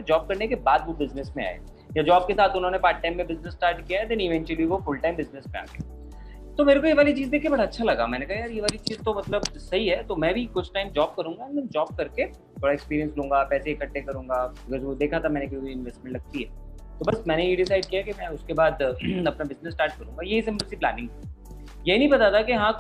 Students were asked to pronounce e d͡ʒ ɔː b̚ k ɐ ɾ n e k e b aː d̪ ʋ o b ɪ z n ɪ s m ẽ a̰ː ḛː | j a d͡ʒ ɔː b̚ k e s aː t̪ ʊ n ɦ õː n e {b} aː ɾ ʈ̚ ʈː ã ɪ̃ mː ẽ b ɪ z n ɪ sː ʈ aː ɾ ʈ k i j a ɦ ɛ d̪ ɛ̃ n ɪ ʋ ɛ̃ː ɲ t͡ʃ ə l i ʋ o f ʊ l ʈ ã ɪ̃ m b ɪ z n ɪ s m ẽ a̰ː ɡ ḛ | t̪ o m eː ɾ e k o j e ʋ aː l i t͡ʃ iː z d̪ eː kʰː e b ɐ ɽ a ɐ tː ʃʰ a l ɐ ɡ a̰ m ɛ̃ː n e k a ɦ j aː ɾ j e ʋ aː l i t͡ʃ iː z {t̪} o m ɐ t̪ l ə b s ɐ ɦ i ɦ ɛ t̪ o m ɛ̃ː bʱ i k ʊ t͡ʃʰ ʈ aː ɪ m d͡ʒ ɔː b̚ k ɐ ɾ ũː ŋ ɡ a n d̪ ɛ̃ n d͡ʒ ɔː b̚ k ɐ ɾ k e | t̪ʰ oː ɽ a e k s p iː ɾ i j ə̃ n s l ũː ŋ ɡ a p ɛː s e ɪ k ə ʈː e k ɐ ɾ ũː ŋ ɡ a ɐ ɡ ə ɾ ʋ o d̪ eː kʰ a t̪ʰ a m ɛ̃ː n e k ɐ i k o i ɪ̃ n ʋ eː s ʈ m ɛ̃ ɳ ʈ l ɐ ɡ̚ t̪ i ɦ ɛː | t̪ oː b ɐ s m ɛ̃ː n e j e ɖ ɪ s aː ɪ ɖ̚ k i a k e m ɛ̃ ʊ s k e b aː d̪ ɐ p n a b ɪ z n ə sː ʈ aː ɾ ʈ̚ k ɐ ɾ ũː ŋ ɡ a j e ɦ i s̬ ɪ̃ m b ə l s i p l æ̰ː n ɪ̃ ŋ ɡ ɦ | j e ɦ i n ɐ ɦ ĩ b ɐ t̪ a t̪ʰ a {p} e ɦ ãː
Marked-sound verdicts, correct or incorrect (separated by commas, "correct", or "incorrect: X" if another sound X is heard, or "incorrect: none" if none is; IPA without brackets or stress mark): incorrect: p, correct, incorrect: k